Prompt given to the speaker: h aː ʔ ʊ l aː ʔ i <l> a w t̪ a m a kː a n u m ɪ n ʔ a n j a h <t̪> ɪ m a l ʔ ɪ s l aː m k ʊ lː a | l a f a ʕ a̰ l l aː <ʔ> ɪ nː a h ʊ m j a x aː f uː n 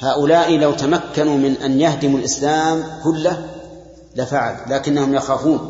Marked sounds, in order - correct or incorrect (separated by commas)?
correct, incorrect, incorrect